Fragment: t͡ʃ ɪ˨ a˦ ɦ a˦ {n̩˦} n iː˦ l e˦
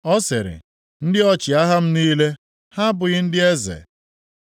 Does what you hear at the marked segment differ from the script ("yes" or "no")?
yes